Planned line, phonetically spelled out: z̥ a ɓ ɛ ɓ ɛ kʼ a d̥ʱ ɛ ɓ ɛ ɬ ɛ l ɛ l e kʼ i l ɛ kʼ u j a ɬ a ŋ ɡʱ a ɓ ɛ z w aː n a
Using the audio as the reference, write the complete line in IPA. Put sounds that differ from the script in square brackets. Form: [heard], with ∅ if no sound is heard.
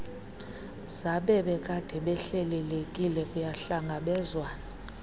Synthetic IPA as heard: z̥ a ɓ ɛ ɓ ɛ kʼ a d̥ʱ ɛ ɓ ɛ ɬ ɛ l ɛ l e kʼ i l ɛ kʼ u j a ɬ a ŋ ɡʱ a ɓ ɛ z w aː n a